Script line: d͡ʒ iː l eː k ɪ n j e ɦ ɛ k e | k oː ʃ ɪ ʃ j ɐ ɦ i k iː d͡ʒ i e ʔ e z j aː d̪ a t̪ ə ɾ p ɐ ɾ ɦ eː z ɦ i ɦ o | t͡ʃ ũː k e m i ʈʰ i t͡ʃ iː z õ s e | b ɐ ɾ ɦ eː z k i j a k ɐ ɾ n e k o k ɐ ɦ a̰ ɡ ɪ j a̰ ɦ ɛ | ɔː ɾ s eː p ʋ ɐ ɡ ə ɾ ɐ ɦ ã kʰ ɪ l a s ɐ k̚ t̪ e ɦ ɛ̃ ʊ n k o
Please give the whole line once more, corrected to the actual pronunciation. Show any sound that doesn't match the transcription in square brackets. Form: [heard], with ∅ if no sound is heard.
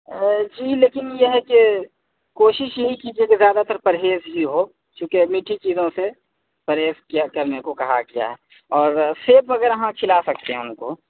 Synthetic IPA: d͡ʒ iː l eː k ɪ n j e ɦ ɛ k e | k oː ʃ ɪ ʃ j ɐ ɦ i k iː d͡ʒ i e [k] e z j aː d̪ a t̪ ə ɾ p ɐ ɾ ɦ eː z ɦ i ɦ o | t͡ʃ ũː k e m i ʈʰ i t͡ʃ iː z õ s e | [p] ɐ ɾ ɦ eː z k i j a k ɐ ɾ n e k o k ɐ ɦ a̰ ɡ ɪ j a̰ ɦ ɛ | ɔː ɾ s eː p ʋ ɐ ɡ ə ɾ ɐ ɦ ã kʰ ɪ l a s ɐ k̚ t̪ e ɦ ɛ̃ ʊ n k o